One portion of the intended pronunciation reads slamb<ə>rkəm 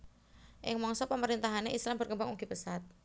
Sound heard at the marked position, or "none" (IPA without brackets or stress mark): ə